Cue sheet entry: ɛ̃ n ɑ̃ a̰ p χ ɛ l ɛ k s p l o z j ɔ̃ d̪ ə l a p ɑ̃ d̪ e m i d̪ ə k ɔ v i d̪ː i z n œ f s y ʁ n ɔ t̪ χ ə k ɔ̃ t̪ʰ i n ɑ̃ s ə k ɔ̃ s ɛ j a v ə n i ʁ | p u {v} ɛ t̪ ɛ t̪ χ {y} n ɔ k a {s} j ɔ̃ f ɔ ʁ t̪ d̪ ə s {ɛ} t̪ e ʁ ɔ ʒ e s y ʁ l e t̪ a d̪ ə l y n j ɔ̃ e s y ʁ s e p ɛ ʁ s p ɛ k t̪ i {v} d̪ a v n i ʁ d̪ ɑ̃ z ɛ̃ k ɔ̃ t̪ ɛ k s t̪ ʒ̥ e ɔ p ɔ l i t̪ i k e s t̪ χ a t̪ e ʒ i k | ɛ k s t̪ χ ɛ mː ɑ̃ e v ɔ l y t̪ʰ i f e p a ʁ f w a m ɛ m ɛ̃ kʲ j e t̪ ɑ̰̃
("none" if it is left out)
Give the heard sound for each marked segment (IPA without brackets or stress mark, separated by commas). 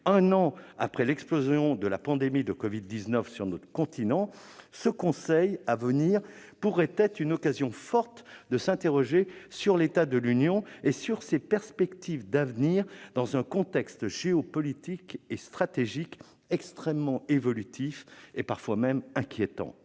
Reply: ʁ, y, z, ɛ̃, v